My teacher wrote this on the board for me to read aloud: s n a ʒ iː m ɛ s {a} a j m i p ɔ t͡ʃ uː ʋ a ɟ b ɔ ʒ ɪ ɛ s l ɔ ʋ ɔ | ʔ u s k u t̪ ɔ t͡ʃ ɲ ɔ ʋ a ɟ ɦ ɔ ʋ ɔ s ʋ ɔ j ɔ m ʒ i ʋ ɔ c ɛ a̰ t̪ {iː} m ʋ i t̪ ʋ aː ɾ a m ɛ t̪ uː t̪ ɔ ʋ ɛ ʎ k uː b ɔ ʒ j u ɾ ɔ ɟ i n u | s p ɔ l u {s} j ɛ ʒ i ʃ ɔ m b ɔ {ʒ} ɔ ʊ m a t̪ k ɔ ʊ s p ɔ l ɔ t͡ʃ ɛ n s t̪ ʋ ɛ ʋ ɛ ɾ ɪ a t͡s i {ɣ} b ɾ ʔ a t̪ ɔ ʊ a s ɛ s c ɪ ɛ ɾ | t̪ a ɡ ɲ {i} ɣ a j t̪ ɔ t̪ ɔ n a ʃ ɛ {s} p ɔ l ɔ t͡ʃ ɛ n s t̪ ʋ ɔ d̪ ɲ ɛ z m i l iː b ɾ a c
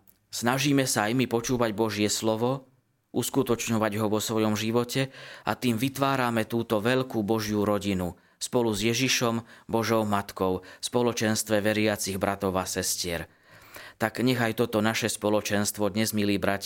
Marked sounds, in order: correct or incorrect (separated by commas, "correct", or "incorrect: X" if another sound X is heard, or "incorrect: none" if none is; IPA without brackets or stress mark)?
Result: correct, correct, incorrect: z, correct, correct, incorrect: ɛ, correct